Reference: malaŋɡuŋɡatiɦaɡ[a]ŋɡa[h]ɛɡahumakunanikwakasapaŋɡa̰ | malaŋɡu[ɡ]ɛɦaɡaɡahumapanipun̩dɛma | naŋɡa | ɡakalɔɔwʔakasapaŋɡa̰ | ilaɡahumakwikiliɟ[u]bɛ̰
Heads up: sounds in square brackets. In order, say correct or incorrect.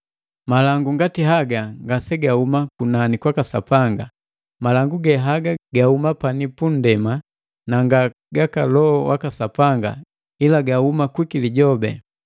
correct, incorrect, correct, incorrect

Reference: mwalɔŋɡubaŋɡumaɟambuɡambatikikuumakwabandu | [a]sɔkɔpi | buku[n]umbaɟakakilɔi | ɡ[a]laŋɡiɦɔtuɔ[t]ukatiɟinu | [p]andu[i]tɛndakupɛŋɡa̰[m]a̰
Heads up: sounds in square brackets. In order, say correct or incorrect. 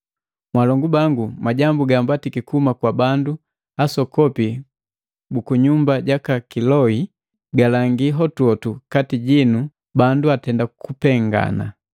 correct, incorrect, correct, correct, incorrect, incorrect, incorrect

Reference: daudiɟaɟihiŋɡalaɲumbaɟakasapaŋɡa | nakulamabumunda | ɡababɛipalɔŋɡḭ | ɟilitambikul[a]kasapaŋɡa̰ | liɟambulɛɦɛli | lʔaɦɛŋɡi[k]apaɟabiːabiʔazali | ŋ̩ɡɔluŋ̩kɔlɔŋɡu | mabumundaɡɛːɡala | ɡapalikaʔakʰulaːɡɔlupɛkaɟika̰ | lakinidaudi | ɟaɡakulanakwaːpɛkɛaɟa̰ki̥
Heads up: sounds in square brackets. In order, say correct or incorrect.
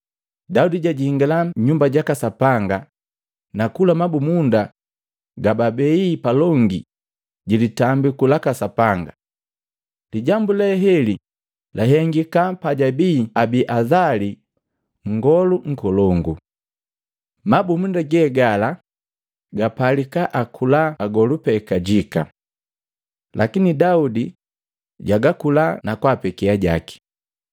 correct, correct

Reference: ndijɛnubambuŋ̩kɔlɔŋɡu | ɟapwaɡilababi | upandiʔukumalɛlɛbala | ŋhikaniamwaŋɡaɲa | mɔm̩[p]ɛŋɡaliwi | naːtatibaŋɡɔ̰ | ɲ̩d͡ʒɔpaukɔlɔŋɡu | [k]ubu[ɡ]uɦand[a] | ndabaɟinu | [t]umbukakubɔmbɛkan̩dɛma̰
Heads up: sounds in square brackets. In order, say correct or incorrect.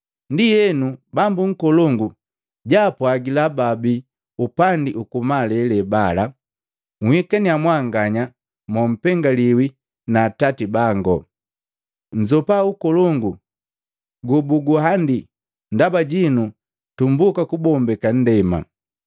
correct, incorrect, correct, incorrect, correct

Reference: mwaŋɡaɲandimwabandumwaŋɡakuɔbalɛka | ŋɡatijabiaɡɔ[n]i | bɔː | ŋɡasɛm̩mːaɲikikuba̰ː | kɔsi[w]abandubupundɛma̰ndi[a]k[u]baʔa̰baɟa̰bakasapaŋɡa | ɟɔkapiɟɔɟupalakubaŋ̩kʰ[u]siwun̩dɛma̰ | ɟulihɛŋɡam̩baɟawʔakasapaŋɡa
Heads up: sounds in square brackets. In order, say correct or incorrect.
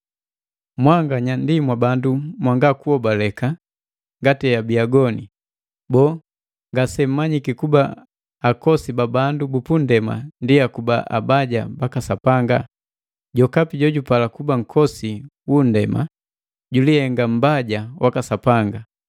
correct, incorrect, correct, correct, incorrect

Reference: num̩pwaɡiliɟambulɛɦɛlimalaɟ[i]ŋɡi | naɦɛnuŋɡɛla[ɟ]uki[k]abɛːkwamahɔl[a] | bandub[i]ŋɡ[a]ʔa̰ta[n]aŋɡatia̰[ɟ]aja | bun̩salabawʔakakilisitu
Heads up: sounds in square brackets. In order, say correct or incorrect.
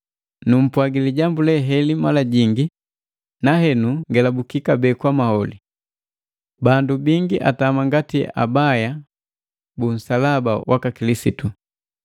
correct, incorrect, correct, incorrect, correct, incorrect, incorrect, incorrect

